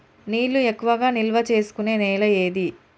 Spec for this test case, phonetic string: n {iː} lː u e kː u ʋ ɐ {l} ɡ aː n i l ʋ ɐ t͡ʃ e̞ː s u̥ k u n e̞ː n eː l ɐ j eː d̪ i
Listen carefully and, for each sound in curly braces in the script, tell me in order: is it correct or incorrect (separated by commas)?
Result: correct, incorrect